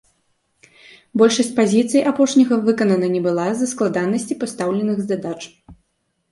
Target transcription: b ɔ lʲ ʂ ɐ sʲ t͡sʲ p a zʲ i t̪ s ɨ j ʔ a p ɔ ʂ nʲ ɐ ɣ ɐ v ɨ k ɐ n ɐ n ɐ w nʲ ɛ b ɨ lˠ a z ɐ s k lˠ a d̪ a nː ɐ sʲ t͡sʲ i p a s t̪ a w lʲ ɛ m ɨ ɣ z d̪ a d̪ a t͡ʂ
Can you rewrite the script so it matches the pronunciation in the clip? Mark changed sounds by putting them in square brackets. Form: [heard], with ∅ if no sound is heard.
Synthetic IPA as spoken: b ɔ lʲ ʂ ɐ sʲ t͡sʲ p a zʲ i t̪ s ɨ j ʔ a p ɔ ʂ nʲ ɐ ɣ ɐ v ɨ k ɐ n ɐ n ɐ [∅] nʲ ɛ b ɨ lˠ a z ɐ s k lˠ a d̪ a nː ɐ sʲ t͡sʲ i p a s t̪ a w lʲ ɛ [n] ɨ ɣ z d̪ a d̪ a t͡ʂ